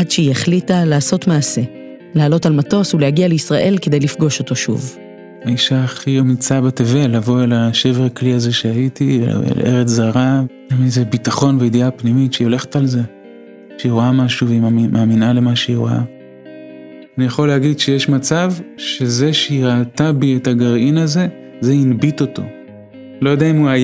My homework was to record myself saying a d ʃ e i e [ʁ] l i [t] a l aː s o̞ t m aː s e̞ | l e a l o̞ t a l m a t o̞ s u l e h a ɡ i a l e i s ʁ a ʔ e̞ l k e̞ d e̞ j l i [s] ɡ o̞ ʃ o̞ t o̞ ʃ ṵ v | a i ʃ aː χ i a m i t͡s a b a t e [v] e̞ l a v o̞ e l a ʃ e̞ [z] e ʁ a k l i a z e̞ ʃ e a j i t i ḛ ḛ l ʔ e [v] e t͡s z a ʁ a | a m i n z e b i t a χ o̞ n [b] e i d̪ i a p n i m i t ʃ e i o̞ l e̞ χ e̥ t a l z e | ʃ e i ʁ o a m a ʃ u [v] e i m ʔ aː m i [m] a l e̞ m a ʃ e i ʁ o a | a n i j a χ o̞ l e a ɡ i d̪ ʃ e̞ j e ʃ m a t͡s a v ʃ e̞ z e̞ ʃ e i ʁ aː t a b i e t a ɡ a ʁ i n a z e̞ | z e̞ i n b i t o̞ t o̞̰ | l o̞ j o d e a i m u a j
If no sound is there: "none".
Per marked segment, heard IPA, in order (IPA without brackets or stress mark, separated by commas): χ, t, f, v, v, ʁ, v, v, n